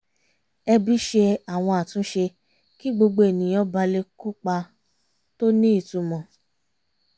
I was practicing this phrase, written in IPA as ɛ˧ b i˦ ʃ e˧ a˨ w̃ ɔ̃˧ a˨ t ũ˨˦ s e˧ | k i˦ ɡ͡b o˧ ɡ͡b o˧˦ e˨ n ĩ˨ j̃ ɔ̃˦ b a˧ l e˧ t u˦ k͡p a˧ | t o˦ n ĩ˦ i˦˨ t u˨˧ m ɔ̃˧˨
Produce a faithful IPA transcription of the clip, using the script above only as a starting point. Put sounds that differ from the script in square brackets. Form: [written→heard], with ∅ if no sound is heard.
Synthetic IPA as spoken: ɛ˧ b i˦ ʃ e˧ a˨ w̃ ɔ̃˧ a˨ t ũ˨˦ [s→ʃ] e˧ | k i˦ ɡ͡b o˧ ɡ͡b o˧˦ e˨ n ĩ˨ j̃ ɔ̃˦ b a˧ l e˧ [t→k] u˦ k͡p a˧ | t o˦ n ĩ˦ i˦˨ t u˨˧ m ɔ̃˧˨